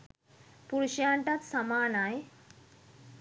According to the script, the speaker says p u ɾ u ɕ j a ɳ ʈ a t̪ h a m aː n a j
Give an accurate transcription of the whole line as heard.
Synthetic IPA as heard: p u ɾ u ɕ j a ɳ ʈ a t̪ s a m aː n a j